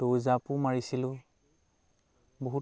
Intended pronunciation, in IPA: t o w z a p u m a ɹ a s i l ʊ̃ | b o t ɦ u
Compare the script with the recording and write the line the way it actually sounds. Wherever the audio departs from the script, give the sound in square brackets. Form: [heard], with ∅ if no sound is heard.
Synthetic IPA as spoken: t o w z a p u m a ɹ [i] s i l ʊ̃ | b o [∅] ɦ u

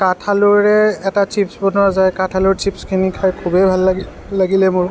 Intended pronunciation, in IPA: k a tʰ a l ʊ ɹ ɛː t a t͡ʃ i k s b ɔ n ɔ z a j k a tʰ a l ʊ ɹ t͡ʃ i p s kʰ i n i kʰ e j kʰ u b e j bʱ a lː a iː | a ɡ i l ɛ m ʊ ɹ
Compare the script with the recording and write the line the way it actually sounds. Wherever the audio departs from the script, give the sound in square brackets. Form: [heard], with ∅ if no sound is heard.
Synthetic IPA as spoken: k a tʰ a l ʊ ɹ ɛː t a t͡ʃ i [p] s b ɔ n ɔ z a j k a tʰ a l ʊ ɹ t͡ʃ i p s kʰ i n i kʰ [a] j kʰ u b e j bʱ a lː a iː | a ɡ i l ɛ m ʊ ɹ

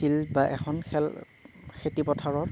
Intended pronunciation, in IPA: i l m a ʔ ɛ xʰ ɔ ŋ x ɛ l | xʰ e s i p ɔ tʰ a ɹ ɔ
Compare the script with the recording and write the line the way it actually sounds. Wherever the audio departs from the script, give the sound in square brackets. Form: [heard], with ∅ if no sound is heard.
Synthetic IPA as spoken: i l [b] a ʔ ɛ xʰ ɔ [n] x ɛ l | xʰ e [t] i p ɔ tʰ a ɹ ɔ

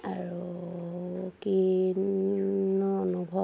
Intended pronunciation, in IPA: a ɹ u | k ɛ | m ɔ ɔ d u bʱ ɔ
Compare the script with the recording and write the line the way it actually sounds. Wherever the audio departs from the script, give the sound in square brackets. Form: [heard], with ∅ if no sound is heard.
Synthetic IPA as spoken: a ɹ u | k [i] | [n] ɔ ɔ [n] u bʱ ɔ

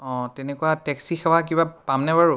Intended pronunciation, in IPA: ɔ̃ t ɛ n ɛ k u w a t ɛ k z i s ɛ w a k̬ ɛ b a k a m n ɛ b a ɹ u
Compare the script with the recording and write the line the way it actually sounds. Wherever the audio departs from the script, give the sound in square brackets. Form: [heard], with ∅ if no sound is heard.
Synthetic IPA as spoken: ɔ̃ t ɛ n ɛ k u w a t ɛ k [s] i [x] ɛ w a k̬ [i] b a [p] a m n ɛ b a ɹ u

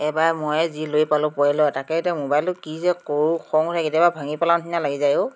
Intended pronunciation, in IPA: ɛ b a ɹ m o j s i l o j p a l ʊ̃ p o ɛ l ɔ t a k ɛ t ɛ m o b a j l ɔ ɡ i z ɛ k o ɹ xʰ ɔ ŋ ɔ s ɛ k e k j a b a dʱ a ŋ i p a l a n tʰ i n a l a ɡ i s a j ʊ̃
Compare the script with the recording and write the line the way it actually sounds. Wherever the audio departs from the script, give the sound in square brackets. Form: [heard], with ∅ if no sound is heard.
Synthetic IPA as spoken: ɛ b a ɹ m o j [z] i l o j p a l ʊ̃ p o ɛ l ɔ t a k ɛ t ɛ m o b a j l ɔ [k] i z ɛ k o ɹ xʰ ɔ ŋ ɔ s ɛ k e [t] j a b a [bʱ] a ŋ i p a l a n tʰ i n a l a ɡ i [z] a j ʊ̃

